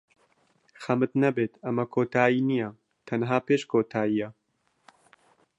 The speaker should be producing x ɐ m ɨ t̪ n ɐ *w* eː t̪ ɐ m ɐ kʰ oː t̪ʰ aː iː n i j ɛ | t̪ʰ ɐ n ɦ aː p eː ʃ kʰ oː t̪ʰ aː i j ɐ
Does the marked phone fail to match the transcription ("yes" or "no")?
yes